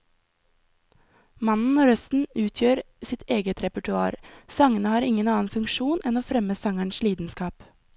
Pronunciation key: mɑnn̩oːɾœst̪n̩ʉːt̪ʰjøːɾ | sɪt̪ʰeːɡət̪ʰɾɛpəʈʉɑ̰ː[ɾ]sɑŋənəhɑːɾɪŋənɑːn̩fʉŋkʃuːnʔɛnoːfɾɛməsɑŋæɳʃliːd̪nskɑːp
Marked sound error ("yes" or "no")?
no